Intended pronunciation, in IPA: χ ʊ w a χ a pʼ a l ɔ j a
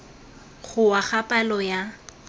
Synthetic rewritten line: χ ʊ w a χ a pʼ a l ɔ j a